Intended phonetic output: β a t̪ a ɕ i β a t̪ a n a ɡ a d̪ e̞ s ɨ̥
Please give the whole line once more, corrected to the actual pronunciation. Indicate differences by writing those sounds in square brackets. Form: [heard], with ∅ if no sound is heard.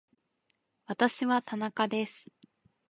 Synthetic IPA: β a t̪ a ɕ i β a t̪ a n a [k] a d̪ e̞ s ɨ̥